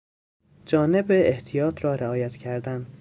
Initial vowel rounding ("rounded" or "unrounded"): rounded